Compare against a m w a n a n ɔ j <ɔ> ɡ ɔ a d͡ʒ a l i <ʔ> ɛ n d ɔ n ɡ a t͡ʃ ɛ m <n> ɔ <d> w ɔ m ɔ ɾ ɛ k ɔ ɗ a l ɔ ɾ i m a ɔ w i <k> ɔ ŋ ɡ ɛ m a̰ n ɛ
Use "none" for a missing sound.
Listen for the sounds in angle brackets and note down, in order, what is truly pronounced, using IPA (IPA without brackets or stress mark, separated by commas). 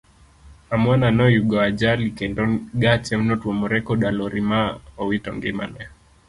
u, k, n, t, t